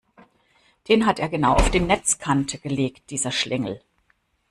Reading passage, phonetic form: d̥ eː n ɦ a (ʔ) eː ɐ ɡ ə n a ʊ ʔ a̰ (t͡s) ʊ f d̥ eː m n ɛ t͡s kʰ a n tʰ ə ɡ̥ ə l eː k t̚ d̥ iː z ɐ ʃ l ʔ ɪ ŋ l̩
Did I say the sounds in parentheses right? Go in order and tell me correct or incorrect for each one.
incorrect: t, incorrect: none

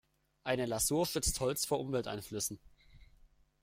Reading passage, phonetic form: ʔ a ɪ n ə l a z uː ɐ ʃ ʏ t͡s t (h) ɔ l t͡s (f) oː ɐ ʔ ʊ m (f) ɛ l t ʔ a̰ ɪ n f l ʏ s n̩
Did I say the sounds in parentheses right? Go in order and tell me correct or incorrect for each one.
correct, correct, incorrect: v

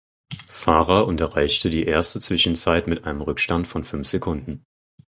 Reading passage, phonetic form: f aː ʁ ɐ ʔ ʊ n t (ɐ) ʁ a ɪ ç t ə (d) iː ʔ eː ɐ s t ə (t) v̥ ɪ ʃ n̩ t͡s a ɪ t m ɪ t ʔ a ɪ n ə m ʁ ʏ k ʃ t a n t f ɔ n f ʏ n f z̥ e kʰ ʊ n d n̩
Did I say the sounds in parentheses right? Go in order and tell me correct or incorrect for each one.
correct, correct, incorrect: t͡s

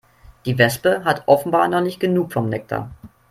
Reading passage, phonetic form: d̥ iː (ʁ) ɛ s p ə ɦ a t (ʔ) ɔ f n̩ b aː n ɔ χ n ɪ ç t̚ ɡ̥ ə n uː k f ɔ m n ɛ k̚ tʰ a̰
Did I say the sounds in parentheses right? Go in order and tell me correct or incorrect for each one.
incorrect: v, correct

